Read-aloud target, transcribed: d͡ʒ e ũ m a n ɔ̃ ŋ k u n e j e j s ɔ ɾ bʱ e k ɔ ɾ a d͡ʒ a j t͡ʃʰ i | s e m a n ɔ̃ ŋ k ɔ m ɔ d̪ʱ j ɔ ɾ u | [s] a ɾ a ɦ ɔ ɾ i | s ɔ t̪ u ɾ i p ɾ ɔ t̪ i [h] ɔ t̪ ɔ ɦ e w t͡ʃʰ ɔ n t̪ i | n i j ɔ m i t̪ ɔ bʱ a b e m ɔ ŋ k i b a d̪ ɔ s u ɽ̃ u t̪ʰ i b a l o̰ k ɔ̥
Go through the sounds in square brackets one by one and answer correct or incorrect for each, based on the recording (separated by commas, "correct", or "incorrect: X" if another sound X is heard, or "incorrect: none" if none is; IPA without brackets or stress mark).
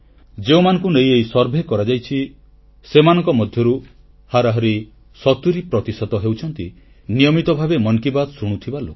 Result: incorrect: h, incorrect: s